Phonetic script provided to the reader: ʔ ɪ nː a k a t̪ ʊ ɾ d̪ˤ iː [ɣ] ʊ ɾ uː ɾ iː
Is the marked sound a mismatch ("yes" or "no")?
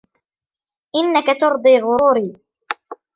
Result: no